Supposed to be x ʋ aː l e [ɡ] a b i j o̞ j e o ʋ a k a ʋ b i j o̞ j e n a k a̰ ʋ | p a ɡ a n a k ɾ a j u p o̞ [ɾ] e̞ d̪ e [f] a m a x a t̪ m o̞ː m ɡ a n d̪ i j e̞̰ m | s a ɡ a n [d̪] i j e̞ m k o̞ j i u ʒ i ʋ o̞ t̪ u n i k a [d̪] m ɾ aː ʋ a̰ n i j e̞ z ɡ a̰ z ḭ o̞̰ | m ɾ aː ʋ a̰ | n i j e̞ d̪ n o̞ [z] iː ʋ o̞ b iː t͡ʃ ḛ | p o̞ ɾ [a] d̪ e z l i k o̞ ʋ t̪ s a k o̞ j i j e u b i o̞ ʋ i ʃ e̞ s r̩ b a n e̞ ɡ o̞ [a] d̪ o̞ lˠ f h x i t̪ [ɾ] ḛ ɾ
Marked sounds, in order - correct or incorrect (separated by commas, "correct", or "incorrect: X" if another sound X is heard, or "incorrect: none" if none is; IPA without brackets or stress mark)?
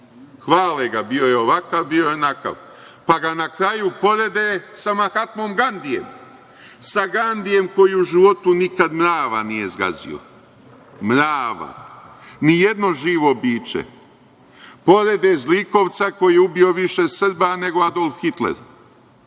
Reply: correct, correct, incorrect: s, correct, correct, incorrect: ʒ, incorrect: e, correct, incorrect: l